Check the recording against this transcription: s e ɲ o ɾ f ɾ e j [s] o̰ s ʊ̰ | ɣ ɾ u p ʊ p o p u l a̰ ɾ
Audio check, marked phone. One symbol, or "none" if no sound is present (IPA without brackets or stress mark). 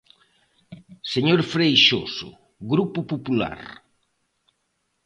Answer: ʃ